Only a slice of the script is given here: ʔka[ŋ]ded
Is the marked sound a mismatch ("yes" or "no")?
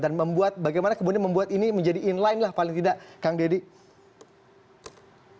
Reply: no